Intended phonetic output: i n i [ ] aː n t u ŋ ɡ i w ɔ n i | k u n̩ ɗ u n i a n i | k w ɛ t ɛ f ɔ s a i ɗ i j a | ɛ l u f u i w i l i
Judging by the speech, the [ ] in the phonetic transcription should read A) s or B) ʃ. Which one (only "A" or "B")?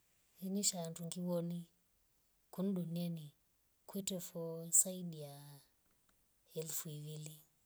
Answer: B